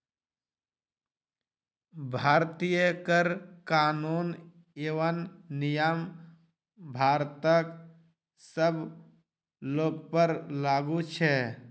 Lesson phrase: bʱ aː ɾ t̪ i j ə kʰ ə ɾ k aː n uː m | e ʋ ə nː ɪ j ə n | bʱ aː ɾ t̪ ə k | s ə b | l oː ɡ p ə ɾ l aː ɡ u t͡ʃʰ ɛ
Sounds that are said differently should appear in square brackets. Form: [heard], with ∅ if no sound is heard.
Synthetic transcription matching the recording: bʱ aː ɾ t̪ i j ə [k] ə ɾ k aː n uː [n] | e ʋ ə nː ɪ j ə [m] | bʱ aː ɾ t̪ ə k | s ə b | l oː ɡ p ə ɾ l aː ɡ u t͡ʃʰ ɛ

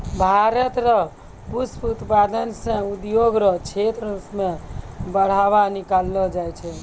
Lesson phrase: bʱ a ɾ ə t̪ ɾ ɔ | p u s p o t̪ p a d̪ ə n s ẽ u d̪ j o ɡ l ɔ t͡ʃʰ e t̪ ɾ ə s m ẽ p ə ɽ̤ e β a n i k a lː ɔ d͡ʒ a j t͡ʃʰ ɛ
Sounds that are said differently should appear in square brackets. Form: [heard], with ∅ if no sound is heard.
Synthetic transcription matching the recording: bʱ a ɾ ə t̪ ɾ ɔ | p u s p [u] t̪ p a d̪ ə n s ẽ u d̪ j o ɡ [ɾ] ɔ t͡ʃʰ e t̪ ɾ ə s m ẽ [b] ə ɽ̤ [a] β a n i k a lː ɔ d͡ʒ a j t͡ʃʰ ɛ

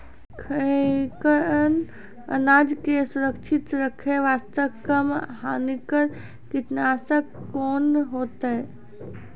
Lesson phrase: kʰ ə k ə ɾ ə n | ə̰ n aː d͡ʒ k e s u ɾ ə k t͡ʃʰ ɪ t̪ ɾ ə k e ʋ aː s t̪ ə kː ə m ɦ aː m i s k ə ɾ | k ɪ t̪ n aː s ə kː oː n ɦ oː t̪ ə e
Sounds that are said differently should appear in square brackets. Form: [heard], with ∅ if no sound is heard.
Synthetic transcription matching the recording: kʰ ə k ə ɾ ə n | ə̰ n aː d͡ʒ k e s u ɾ ə k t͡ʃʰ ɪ t̪ ɾ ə [kʰ] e ʋ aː s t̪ ə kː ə m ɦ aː [n] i [∅] k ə ɾ | k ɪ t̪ n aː s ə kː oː n ɦ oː t̪ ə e

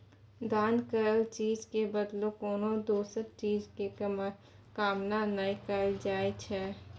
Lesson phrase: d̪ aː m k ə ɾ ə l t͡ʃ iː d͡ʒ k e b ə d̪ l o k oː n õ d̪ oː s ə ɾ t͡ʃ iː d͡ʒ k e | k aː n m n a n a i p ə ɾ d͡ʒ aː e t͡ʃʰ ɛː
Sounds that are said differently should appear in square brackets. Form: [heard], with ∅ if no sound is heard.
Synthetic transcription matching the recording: d̪ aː [n] k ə ɾ ə l t͡ʃ iː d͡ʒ k e b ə d̪ l o k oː n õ d̪ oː s ə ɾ t͡ʃ iː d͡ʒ k e | k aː [∅] m n a n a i [k] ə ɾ d͡ʒ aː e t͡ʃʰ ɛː

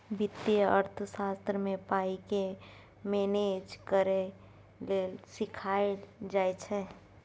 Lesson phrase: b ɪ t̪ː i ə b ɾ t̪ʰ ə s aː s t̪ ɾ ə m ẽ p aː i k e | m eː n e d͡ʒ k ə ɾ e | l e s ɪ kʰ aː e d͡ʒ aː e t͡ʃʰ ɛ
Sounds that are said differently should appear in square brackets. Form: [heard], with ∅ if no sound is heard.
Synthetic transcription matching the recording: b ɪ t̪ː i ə [∅] ɾ t̪ʰ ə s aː s t̪ ɾ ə m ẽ p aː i k e | m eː n e d͡ʒ k ə ɾ e | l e s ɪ kʰ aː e d͡ʒ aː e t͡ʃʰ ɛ

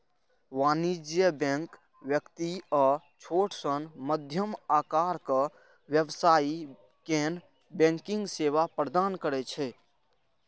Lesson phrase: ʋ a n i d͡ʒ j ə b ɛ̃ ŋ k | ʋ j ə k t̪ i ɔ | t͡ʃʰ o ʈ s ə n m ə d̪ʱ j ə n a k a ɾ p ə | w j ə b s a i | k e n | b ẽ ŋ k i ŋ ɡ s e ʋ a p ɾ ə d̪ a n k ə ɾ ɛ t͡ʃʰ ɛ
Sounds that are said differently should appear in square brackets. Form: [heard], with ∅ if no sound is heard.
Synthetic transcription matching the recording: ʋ a n i d͡ʒ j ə b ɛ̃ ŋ k | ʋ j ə k t̪ i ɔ | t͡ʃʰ o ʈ s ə n m ə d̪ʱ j ə [m] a k a ɾ [k] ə | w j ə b s a i | k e n | b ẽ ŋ k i ŋ ɡ s e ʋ a p ɾ ə d̪ a n k ə ɾ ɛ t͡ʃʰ ɛ

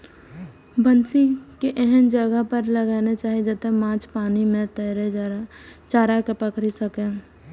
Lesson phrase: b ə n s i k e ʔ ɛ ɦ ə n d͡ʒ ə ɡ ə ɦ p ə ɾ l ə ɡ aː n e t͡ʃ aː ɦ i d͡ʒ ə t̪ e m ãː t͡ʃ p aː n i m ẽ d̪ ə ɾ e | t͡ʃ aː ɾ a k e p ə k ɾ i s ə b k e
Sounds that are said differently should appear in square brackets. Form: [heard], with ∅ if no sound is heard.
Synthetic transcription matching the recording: b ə n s i k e ʔ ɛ ɦ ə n d͡ʒ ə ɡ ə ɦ p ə ɾ l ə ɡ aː n e t͡ʃ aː ɦ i d͡ʒ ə t̪ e m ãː t͡ʃ p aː n i m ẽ [t̪] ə ɾ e | t͡ʃ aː ɾ a k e p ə k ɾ i s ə [∅] k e

